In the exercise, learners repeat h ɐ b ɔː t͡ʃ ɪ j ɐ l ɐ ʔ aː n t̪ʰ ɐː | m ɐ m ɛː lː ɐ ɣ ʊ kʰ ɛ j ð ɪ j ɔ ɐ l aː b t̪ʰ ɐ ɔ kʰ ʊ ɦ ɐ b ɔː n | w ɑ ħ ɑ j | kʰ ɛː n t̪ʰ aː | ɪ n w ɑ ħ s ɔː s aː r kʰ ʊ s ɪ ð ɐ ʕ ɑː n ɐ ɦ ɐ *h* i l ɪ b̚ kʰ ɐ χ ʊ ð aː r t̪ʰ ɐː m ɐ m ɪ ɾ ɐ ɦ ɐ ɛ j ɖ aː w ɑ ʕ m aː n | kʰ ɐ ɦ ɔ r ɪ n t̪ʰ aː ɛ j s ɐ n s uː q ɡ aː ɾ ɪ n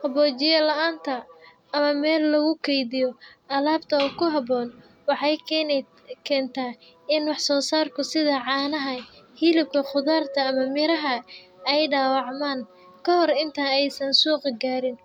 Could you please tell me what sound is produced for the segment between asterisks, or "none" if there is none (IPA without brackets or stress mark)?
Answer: h